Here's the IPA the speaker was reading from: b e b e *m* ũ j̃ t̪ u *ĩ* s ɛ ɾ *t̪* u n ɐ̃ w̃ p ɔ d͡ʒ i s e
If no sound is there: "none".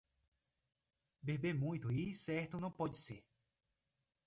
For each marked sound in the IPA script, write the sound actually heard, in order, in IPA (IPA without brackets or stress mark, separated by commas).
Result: m, i, t̪